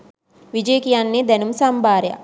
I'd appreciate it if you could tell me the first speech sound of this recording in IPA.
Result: ʋ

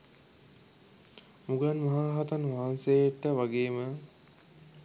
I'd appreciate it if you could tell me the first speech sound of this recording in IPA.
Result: m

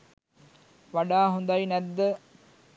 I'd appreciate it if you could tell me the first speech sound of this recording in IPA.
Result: ʋ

